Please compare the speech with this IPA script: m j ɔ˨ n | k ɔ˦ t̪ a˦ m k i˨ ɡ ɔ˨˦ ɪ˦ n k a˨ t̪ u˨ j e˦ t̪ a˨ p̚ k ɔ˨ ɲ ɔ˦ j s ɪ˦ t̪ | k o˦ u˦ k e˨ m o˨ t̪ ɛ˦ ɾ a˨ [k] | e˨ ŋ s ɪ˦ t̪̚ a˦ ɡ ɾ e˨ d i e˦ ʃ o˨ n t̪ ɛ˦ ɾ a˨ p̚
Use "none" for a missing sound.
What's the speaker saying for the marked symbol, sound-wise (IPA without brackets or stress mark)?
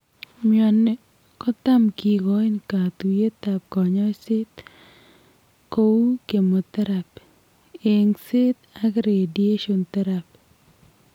p